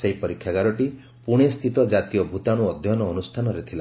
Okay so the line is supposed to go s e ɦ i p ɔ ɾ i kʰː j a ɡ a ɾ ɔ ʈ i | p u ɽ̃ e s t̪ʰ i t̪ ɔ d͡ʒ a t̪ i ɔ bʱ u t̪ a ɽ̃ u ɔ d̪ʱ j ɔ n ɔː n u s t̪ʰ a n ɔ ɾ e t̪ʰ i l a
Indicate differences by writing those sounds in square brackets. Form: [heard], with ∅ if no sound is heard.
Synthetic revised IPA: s e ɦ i p ɔ ɾ i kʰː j a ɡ a ɾ ɔ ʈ i | p u ɽ̃ e s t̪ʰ i t̪ ɔ d͡ʒ a t̪ i ɔ bʱ u t̪ a ɽ̃ u ɔ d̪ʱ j ɔ n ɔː n u s t̪ʰ a n ɔ ɾ e t̪ʰ i l a